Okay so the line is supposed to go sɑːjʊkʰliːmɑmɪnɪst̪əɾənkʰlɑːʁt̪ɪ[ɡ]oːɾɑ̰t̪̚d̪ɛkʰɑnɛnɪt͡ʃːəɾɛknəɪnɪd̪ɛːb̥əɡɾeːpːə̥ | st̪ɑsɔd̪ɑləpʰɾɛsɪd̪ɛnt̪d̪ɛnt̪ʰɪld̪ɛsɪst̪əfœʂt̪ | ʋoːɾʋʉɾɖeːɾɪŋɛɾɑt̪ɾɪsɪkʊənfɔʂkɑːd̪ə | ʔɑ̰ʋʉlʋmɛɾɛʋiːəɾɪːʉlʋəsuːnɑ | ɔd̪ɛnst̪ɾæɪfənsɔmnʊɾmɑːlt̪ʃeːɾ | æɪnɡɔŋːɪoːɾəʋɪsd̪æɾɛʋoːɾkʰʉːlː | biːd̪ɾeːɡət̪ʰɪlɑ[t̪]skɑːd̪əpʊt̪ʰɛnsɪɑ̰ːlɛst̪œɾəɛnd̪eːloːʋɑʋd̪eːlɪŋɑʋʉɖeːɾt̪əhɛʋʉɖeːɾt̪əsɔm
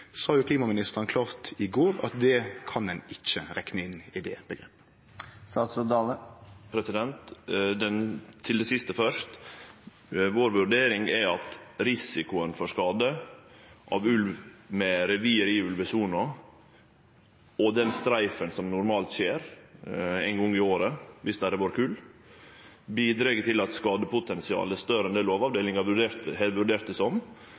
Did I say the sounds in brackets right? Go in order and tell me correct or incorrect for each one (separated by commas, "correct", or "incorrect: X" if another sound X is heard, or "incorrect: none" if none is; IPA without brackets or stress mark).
correct, correct